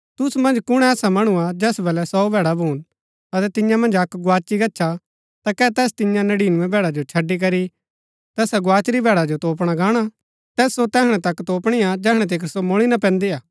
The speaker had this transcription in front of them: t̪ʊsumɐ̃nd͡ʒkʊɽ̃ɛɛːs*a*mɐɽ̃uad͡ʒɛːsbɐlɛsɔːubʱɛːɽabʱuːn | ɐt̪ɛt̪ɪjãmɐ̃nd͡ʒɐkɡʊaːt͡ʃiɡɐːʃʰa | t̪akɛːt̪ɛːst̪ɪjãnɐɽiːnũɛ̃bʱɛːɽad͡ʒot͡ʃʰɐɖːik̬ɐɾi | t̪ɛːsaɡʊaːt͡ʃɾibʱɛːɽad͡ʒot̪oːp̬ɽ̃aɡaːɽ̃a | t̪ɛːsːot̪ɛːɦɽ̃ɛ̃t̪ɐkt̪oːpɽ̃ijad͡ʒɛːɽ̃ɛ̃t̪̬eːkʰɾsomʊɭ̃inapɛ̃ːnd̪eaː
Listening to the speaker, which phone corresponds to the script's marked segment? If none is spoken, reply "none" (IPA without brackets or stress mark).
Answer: a